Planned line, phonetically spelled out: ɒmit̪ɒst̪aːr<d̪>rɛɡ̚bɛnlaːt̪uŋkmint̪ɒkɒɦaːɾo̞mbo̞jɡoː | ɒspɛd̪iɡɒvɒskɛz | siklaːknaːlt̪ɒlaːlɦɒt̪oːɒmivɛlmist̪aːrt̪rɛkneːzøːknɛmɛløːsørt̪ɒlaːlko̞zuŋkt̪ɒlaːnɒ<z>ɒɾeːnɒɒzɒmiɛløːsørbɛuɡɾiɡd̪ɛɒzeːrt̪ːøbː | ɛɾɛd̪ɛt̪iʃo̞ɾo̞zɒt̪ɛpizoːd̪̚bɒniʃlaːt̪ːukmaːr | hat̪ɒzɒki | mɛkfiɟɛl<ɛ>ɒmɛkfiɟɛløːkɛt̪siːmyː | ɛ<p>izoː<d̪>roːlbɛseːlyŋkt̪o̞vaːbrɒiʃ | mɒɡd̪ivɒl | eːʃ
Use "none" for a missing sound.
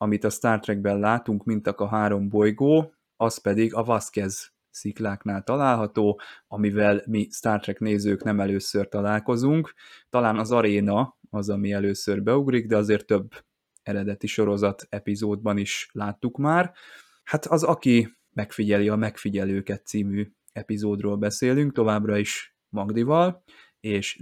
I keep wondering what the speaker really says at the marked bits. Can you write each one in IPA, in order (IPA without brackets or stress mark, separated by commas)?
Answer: t̪, z, i, p, d̪